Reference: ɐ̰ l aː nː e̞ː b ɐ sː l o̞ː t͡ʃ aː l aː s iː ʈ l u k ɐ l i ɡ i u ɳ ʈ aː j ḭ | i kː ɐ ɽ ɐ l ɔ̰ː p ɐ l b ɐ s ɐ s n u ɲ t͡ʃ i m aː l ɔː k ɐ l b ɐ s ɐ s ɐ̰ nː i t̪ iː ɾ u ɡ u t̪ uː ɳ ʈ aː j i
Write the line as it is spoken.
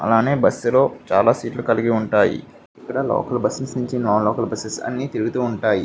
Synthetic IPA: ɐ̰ l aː n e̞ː b ɐ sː l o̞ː t͡ʃ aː l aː s iː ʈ l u k ɐ l i ɡ i u ɳ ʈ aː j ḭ | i kː ɐ ɽ ɐ l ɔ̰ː k ɐ l b ɐ s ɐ s n u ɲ t͡ʃ i n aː l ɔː k ɐ l b ɐ s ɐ s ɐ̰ nː i t̪ i ɾ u ɡ u t̪ uː ɳ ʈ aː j i